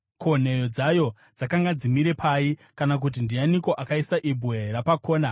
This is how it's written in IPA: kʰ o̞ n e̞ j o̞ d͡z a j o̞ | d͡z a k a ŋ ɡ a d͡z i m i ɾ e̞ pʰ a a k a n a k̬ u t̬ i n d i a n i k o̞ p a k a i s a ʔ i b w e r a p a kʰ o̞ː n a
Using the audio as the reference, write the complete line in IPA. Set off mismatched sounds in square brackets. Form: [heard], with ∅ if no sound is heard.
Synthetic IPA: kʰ o̞ n e̞ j o̞ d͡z a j o̞ | d͡z a k a ŋ ɡ a d͡z i m i ɾ e̞ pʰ a [i] k a n a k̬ u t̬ i n d i a n i k o̞ [ʔ] a k a i s a ʔ i b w e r a p a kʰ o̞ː n a